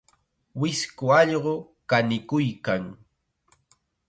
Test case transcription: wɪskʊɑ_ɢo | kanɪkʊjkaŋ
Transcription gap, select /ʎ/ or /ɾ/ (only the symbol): ʎ